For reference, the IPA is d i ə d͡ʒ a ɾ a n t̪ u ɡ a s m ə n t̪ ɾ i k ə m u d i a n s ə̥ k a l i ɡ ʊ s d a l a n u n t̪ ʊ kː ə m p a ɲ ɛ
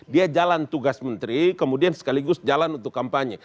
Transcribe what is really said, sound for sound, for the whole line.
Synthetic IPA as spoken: d i a d͡ʒ a l a n t̪ u ɡ a s m ə n t̪ ɾ i k ə m u d i a n s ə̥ k a l i ɡ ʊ s d͡ʒ a l a n u n t̪ ʊ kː a m p a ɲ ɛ